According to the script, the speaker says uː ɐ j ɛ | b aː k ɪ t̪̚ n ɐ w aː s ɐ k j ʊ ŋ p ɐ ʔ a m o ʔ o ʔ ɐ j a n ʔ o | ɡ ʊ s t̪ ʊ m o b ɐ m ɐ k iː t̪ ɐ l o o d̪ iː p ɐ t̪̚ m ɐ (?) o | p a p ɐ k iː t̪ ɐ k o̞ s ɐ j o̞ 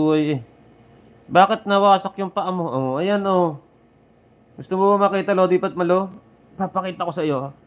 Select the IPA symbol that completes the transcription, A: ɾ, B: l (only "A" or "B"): B